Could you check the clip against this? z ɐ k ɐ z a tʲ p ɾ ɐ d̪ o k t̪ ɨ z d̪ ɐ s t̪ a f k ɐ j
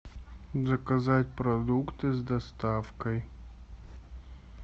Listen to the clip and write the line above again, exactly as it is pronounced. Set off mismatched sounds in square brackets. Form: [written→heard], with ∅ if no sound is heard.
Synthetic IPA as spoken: z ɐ k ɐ z a tʲ p ɾ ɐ d̪ [o→u] k t̪ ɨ z d̪ ɐ s t̪ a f k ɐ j